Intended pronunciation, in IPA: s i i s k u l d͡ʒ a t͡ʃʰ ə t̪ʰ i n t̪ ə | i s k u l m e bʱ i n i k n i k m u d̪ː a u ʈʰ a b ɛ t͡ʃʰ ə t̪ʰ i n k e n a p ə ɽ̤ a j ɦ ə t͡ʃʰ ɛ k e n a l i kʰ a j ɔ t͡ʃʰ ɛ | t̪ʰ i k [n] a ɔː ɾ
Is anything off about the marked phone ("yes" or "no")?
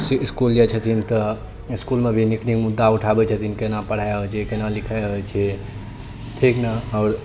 no